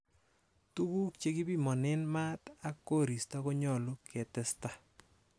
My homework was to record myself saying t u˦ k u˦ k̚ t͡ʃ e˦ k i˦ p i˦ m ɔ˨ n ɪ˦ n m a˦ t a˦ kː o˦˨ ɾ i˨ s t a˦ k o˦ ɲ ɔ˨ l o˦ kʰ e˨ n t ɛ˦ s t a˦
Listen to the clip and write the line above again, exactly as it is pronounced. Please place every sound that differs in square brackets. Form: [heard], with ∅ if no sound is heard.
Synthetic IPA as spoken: t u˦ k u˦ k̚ t͡ʃ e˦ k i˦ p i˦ m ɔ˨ n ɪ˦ n m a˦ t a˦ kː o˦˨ ɾ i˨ s t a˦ k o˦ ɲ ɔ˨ l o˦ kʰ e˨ [∅] t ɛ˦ s t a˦